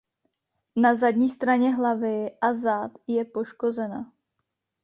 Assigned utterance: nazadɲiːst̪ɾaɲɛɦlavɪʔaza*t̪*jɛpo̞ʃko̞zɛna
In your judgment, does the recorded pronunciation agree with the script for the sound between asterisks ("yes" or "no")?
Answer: yes